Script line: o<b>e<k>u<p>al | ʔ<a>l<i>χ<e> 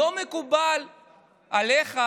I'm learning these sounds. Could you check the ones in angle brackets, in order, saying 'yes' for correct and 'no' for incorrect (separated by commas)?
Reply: no, yes, no, yes, no, no